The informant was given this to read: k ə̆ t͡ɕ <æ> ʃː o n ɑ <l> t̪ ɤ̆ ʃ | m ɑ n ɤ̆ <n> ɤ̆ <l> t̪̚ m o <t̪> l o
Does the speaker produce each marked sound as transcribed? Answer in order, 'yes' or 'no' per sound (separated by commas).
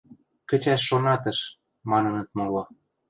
yes, no, yes, no, no